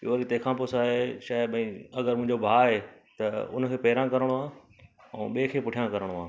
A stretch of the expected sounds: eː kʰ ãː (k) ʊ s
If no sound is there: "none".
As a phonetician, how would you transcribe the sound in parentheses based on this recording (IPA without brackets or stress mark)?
p